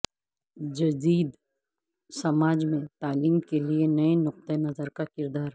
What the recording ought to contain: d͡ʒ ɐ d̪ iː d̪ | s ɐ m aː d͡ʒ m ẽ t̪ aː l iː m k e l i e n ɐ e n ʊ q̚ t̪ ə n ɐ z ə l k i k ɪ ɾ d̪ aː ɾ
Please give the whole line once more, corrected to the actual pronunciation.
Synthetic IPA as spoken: d͡ʒ ɐ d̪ iː d̪ | s ɐ m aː d͡ʒ m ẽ t̪ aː l iː m k e l i e n ɐ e n ʊ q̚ t̪ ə n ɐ z ə ɾ k a k ɪ ɾ d̪ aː ɾ